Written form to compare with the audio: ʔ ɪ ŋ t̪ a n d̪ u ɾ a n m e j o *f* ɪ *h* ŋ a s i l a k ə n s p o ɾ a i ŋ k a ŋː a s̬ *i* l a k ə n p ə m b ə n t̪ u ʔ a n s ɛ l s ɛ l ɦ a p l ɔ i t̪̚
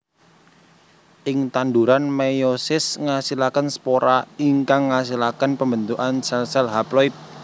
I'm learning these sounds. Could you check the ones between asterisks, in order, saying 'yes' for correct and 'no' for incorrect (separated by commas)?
no, no, yes